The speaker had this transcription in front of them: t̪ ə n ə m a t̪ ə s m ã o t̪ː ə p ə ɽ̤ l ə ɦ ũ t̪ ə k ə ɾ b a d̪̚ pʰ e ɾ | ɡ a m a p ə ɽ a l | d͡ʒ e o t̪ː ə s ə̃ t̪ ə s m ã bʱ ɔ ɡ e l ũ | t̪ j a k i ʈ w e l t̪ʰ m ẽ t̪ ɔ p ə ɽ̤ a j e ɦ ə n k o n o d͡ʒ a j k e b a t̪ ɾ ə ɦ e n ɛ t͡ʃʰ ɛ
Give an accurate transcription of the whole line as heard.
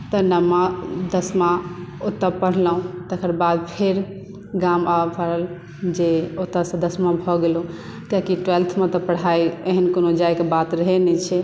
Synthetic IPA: t̪ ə n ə m a d̪ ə s m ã o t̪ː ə p ə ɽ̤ l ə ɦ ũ t̪ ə k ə ɾ b a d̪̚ pʰ e ɾ | ɡ a m a p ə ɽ ə l | d͡ʒ e o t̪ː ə s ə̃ d̪ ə s m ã bʱ ɔ ɡ e l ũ | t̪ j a k i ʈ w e l t̪ʰ m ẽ t̪ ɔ p ə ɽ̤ a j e ɦ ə n k o n o d͡ʒ a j k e b a t̪ ɾ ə ɦ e n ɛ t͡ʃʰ ɛ